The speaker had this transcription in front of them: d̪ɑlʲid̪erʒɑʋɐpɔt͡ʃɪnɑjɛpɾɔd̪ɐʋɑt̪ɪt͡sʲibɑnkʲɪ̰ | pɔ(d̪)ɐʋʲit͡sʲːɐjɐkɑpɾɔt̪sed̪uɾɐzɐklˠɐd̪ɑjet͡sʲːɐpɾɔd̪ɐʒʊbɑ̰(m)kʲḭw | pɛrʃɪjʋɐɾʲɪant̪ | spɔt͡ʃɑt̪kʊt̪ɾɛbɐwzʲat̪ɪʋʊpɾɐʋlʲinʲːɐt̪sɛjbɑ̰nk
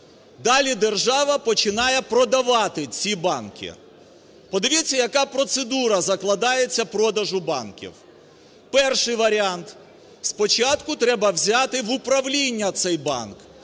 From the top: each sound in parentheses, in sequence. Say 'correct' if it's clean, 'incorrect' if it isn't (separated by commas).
correct, incorrect